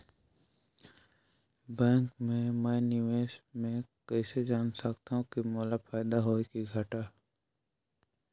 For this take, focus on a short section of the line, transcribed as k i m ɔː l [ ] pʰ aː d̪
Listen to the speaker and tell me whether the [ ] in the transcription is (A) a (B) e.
A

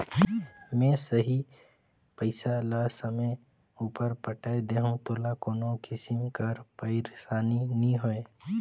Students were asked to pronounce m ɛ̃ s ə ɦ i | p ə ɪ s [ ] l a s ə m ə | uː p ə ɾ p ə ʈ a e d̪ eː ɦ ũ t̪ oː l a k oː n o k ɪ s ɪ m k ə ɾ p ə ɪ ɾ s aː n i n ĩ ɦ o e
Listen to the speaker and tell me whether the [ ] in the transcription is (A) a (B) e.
A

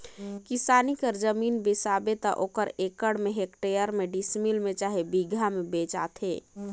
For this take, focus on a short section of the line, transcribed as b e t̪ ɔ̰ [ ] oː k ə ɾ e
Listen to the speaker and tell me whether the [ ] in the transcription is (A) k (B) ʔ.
B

